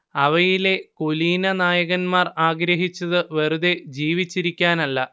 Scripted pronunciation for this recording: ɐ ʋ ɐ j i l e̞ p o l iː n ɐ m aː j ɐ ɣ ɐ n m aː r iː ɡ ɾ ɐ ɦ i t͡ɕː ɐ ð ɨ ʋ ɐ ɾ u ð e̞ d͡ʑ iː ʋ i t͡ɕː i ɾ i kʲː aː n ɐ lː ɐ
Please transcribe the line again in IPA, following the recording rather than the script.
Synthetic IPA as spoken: ɐ ʋ ɐ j i l e̞ k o l iː n ɐ n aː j ɐ ɣ ɐ n m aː r aː ɡ ɾ ɐ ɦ i t͡ɕː ɐ ð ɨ ʋ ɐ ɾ u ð e̞ d͡ʑ iː ʋ i t͡ɕː i ɾ i kʲː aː n ɐ lː ɐ